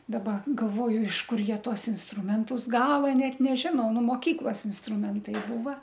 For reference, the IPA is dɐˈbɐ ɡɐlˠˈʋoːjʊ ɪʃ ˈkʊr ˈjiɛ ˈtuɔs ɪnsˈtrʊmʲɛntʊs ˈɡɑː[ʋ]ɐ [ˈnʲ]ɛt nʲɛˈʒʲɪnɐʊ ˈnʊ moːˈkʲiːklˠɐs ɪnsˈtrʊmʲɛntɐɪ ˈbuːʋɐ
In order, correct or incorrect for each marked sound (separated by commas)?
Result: correct, correct